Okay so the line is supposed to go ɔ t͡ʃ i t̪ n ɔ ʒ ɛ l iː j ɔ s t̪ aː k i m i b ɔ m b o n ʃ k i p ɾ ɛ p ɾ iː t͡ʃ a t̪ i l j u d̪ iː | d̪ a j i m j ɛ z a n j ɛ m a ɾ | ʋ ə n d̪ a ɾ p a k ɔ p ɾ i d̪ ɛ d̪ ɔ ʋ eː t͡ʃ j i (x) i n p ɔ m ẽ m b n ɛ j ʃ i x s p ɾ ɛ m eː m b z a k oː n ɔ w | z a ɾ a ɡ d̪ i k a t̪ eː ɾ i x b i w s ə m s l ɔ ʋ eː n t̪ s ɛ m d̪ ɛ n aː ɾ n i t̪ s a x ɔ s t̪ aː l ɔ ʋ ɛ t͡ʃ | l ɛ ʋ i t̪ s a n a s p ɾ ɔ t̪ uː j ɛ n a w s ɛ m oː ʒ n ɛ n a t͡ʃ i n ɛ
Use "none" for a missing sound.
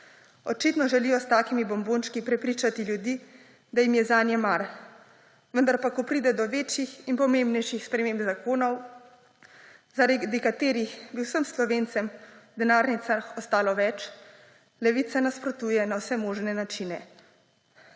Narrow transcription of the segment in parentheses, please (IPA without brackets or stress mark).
x